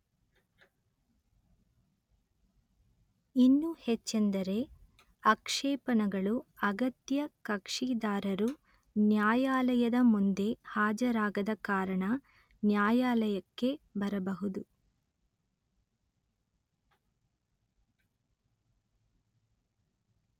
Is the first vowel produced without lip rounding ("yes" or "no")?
yes